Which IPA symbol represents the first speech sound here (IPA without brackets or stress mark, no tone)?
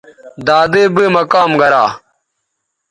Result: d̪